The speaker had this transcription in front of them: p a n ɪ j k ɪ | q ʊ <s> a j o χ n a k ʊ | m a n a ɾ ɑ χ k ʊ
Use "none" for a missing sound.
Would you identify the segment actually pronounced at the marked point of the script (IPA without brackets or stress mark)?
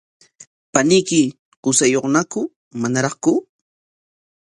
s